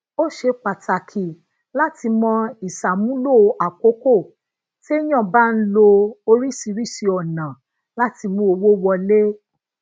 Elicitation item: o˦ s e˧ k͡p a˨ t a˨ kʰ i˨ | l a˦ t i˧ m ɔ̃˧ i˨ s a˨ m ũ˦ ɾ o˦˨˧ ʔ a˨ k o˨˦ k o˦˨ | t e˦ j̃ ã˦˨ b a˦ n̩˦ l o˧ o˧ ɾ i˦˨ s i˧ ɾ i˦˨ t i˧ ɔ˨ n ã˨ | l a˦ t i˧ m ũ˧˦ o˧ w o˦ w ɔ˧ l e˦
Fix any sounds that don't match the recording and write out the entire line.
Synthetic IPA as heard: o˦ ʃ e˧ k͡p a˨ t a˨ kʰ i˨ | l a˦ t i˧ m ɔ̃˧ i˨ s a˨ m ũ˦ l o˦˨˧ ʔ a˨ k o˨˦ k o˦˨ | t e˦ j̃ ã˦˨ b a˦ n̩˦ l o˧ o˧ ɾ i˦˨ s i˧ ɾ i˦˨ s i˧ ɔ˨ n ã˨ | l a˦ t i˧ m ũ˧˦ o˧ w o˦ w ɔ˧ l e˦